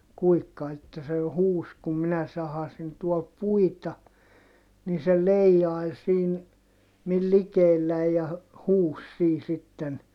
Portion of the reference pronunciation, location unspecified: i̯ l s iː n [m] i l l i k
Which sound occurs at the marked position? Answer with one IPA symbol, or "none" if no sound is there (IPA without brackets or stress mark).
m